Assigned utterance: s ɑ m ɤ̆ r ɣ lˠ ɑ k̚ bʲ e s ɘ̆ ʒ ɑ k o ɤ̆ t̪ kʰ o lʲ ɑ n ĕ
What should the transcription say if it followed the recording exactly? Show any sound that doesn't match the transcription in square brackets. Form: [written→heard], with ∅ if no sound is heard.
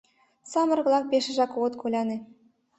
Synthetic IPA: s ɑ m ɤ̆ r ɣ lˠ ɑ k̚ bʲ e [s→ʃ] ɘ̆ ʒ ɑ k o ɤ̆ t̪ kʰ o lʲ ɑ n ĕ